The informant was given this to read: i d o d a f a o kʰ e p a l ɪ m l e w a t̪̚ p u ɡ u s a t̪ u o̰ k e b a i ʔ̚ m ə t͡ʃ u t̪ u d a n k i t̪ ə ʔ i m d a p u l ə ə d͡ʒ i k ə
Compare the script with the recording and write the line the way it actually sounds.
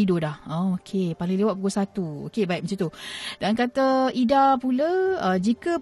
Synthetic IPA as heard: i d o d a h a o kʰ e p a l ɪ ŋ l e w a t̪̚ p u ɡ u s a t̪ u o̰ k e b a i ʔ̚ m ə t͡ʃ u t̪ u d a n k a t̪ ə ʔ i d a p u l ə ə d͡ʒ i k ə